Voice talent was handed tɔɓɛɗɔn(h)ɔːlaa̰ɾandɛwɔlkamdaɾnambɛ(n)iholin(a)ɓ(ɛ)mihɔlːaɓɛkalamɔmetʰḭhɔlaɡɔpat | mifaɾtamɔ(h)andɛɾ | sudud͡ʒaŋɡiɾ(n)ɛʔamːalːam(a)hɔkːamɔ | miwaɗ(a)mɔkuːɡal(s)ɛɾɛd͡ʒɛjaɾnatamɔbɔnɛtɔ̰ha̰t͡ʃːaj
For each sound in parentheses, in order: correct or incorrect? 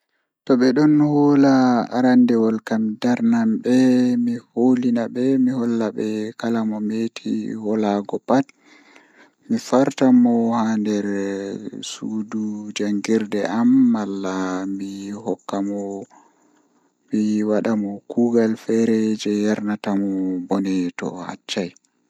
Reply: correct, incorrect, correct, correct, correct, incorrect, incorrect, correct, incorrect

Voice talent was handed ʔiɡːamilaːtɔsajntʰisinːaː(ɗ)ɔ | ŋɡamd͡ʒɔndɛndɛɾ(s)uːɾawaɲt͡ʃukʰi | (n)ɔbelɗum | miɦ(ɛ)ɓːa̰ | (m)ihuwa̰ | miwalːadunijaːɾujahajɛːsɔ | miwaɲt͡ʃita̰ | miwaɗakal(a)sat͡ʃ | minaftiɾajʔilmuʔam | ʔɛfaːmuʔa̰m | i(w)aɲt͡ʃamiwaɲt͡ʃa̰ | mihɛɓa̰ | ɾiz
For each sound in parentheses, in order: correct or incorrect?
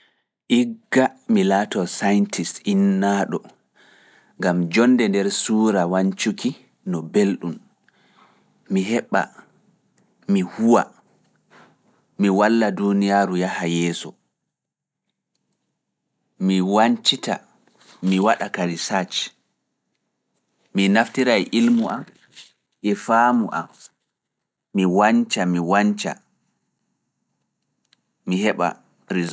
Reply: correct, correct, correct, correct, correct, incorrect, correct

